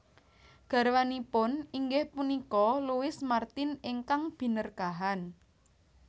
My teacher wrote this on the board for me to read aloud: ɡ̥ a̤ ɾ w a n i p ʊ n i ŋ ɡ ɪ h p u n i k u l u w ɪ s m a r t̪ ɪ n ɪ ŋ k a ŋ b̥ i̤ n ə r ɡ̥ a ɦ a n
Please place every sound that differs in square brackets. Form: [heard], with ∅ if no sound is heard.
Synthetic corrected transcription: ɡ̥ a̤ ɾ w a n i p ʊ n i ŋ ɡ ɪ h p u n i k [ɔ] l u w ɪ s m a r t̪ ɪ n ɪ ŋ k a ŋ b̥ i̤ n ə r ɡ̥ a ɦ a n